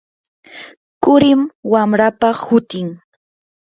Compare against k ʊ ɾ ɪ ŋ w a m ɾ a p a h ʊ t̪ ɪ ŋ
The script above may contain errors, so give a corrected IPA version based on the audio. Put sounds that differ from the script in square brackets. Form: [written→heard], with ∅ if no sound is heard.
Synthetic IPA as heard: k ʊ ɾ ɪ [ŋ→m] w a m ɾ a p a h ʊ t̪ ɪ ŋ